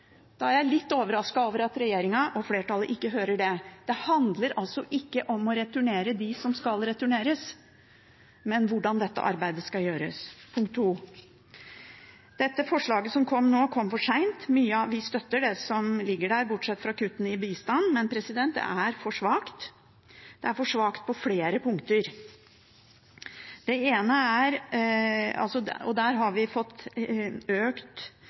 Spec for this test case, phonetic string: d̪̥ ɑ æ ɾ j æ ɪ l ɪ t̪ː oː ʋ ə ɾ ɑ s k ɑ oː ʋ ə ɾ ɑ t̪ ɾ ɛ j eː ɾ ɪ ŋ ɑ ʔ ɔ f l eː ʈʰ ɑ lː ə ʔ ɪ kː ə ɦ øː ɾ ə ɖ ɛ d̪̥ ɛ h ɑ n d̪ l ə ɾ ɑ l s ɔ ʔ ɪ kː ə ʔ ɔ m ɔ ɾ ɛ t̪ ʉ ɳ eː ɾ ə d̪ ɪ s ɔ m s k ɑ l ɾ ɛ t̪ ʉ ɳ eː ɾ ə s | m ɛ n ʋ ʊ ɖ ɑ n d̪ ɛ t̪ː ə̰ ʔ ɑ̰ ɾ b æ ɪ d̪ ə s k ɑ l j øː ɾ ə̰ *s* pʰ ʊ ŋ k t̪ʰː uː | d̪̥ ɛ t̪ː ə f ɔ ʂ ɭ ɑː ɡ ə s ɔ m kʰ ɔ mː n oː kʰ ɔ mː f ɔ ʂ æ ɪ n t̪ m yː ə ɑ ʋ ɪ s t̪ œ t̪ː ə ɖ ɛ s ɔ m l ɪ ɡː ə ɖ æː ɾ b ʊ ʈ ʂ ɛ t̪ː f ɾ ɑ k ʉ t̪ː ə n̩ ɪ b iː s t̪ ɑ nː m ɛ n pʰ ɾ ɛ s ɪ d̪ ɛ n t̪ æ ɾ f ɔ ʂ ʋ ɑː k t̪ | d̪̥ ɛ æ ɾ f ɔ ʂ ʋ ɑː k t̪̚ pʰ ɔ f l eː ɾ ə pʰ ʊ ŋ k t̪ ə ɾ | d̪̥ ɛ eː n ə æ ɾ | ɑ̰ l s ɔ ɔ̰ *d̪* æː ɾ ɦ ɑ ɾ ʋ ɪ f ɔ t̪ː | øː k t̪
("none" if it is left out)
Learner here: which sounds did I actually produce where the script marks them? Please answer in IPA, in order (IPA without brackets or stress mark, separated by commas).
s, d̪